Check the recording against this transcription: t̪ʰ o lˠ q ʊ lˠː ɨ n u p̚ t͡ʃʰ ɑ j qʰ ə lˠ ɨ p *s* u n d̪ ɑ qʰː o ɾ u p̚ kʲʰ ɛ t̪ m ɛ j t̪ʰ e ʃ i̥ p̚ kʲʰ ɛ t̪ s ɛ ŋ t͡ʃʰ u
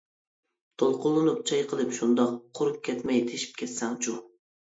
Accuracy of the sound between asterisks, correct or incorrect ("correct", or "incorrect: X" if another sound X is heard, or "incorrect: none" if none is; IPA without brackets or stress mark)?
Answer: incorrect: ʃ